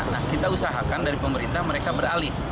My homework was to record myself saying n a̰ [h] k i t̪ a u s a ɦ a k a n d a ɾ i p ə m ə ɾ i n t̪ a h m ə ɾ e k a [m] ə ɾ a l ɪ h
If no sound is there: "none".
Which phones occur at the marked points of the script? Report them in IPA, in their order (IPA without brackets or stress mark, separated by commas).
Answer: h, b